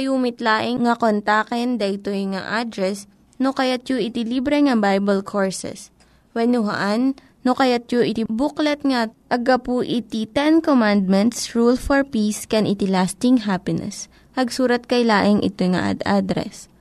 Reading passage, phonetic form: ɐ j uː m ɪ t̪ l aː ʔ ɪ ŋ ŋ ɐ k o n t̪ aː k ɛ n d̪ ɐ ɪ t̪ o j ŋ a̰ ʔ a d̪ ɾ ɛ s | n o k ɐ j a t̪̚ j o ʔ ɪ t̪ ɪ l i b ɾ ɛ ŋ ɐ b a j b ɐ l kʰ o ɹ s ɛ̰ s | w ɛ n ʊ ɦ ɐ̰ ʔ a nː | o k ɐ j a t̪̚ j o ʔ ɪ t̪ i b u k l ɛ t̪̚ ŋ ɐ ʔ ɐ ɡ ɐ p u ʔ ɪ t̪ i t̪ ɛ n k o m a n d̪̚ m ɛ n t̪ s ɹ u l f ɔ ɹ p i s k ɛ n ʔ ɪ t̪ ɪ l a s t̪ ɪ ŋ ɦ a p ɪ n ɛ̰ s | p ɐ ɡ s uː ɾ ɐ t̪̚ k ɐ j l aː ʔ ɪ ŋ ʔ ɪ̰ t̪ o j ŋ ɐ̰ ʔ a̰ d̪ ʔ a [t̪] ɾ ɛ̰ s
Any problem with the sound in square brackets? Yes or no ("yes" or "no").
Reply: yes